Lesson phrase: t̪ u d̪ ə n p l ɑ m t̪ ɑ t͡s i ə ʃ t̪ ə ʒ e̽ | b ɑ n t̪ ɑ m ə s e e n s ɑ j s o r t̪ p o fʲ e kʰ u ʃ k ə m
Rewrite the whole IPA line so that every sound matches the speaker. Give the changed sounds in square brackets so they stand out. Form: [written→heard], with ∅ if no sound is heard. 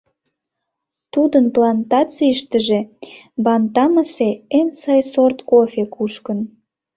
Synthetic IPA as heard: t̪ u d̪ ə n p l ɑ [m→n] t̪ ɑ t͡s i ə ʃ t̪ ə ʒ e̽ | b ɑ n t̪ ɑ m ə s e e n s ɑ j s o r t̪ [p→k] o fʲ e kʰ u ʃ k ə [m→n]